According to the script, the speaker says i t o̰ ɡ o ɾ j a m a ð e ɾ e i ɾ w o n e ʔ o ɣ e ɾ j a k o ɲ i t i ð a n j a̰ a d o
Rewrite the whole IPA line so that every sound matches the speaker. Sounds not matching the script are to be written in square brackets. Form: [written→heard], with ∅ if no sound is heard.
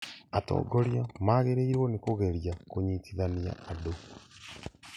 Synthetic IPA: [i→a] t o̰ ɡ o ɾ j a m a [ð→ɣ] e ɾ e i ɾ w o n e [ʔ→k] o ɣ e ɾ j a k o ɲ i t i ð a n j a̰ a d o